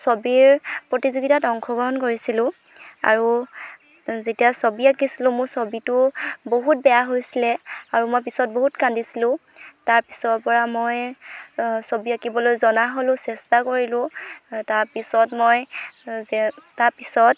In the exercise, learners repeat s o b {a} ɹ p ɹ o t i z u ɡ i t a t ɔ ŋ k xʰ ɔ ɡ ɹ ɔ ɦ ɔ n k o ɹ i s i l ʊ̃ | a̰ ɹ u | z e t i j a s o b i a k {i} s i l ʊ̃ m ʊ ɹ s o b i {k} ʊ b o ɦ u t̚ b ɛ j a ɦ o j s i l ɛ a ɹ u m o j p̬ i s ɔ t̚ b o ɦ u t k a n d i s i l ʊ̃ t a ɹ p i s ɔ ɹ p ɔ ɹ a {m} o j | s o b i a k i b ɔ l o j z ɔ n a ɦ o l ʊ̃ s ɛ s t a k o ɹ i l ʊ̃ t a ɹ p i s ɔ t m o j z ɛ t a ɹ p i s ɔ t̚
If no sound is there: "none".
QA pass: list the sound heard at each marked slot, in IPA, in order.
i, i, t, m

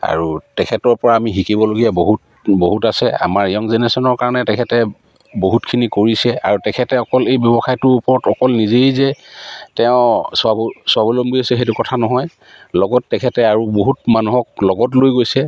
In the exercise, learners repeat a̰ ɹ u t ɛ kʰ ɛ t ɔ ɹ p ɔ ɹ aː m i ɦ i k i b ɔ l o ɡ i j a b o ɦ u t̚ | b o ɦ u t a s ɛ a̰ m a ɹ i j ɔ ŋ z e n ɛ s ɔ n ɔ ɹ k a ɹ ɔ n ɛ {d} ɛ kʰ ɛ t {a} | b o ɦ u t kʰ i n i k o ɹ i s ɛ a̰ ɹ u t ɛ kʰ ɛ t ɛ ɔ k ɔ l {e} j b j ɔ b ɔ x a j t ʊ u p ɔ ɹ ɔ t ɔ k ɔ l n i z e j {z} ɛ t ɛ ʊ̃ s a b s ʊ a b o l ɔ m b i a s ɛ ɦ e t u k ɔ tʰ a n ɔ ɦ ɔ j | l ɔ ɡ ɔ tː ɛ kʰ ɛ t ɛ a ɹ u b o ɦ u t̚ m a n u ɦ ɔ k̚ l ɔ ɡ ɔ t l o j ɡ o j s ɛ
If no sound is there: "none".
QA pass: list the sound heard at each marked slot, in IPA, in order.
t, ɛ, e, z

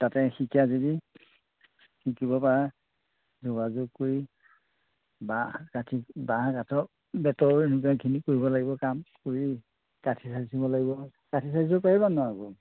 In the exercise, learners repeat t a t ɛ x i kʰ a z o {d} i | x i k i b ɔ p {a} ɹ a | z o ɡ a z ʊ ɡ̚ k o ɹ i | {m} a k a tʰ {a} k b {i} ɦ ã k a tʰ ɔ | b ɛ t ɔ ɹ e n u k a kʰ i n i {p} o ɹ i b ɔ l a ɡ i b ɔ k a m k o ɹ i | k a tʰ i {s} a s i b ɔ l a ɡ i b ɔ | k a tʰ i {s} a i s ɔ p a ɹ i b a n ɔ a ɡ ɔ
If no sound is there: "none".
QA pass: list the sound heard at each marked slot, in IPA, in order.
d, a, b, i, a, k, s, s

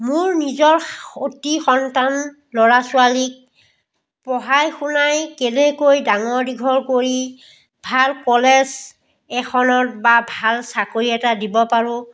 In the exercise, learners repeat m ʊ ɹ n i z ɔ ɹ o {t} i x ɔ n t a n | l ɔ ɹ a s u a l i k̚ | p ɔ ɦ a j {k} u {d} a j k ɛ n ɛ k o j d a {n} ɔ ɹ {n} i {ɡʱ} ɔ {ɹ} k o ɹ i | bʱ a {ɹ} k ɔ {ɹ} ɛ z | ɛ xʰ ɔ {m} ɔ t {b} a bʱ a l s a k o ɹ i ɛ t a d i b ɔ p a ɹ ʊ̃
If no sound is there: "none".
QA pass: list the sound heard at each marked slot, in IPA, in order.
t, x, n, ŋ, d, ɡʱ, ɹ, l, l, n, b

